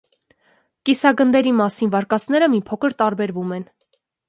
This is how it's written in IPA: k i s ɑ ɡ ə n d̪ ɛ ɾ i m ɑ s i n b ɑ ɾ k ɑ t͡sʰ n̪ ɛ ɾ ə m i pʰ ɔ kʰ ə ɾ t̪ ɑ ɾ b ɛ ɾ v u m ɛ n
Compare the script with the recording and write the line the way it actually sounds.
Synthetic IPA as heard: k i s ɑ ɡ ə n d̪ ɛ ɾ i m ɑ s i n v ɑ ɾ k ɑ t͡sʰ n̪ ɛ ɾ ə m i pʰ ɔ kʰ ə ɾ t̪ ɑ ɾ b ɛ ɾ v u m ɛ n

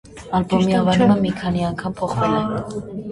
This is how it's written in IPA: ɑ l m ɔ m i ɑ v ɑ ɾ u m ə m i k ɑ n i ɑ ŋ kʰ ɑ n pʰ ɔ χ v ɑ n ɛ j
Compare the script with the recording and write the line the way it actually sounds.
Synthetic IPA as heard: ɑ l b ɔ m i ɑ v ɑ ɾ u m ə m i kʰ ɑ n i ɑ ŋ kʰ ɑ m pʰ ɔ χ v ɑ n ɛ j

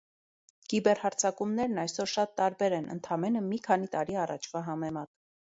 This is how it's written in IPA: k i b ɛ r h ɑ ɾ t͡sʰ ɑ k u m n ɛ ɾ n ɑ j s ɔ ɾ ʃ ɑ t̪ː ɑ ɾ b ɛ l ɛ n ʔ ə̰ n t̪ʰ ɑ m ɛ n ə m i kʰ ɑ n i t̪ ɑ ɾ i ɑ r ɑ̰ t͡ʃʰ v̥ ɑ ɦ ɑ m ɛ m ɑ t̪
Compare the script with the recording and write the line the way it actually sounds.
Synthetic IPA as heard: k i b ɛ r h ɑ ɾ t͡sʰ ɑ k u m n ɛ ɾ n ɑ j s ɔ ɾ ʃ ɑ t̪ː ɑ ɾ b ɛ ɾ ɛ n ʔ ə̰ n t̪ʰ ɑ m ɛ n ə m i kʰ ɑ n i t̪ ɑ ɾ i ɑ r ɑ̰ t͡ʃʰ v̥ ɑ ɦ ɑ m ɛ m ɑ t̪

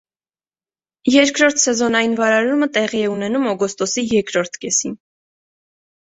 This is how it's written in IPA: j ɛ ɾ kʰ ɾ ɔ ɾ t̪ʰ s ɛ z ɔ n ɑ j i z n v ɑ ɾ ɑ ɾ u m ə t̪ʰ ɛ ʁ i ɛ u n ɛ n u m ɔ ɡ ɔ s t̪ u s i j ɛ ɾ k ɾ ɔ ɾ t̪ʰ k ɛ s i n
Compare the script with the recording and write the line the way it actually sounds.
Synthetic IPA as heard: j ɛ ɾ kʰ ɾ ɔ ɾ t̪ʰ s ɛ z ɔ n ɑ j i n v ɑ ɾ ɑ ɾ u m ə t̪ ɛ ʁ i ɛ u n ɛ n u m ɔ ɡ ɔ s t̪ ɔ s i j ɛ ɾ k ɾ ɔ ɾ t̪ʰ k ɛ s i n

